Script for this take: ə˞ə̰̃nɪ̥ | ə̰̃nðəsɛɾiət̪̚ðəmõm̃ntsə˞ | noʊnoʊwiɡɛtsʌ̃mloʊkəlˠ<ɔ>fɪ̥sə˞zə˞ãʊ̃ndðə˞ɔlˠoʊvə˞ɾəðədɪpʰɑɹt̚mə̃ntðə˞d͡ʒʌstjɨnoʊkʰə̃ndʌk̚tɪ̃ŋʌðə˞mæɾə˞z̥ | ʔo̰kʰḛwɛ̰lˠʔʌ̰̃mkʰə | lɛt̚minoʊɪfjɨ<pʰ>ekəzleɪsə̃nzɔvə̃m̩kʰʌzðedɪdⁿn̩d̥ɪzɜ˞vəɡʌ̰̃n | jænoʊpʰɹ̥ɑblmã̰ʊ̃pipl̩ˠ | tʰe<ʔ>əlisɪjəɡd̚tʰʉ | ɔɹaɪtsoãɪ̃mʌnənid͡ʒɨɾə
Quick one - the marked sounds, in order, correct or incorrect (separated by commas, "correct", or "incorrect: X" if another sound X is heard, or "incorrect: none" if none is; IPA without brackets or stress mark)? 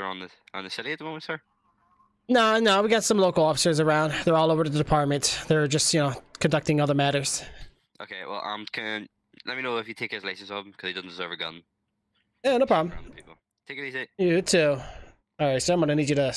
correct, incorrect: tʰ, incorrect: k